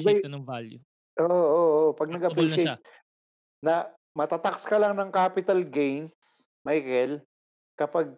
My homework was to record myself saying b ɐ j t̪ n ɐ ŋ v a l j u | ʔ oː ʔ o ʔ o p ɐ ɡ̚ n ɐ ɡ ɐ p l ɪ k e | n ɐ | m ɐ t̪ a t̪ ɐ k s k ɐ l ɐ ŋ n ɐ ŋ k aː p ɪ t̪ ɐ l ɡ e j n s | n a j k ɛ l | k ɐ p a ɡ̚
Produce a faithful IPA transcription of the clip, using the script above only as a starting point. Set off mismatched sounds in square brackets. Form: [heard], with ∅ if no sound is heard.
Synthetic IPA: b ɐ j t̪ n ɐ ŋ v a l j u | ʔ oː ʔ o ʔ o p ɐ ɡ̚ n ɐ ɡ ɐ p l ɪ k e | n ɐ | m ɐ t̪ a t̪ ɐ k s k ɐ l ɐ ŋ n ɐ ŋ k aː p ɪ t̪ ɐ l ɡ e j n s | [m] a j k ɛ l | k ɐ p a ɡ̚